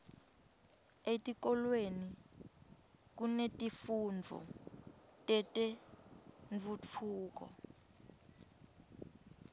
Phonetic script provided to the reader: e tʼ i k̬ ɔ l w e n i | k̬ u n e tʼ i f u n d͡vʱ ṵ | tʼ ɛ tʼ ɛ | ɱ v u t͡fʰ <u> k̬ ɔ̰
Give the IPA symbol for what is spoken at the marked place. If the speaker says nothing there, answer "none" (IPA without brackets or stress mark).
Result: uː